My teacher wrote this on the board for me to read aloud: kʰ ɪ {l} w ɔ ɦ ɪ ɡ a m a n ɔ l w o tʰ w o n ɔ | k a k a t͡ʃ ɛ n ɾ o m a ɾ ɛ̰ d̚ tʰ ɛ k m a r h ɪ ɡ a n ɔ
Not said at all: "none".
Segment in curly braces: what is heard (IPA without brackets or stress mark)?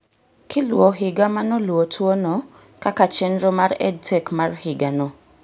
l